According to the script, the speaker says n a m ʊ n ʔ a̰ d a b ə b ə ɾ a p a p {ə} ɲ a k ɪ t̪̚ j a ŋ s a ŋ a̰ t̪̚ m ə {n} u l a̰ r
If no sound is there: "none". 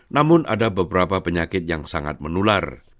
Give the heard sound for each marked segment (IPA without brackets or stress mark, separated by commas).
ə, n